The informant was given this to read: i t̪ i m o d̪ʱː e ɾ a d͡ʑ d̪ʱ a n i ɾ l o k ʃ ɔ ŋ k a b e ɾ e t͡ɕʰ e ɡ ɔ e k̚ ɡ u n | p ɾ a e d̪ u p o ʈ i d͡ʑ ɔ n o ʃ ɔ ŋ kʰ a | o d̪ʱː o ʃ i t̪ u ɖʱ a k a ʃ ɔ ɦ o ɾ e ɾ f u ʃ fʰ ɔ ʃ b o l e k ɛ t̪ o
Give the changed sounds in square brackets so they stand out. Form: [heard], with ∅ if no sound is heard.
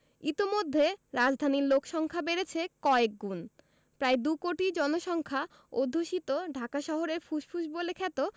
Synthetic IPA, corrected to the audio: i t̪ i m o d̪ʱː e ɾ a d͡ʑ d̪ʱ a n i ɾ l o k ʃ ɔ ŋ [kʰ] a b e ɾ e t͡ɕʰ e [k] ɔ e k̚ ɡ u n | p ɾ a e d̪ u [k] o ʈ i d͡ʑ ɔ n o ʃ ɔ ŋ kʰ a | o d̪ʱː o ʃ i t̪ [o] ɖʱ a k a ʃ ɔ ɦ o ɾ e ɾ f u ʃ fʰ [u] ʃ b o l e [kʰ] ɛ t̪ o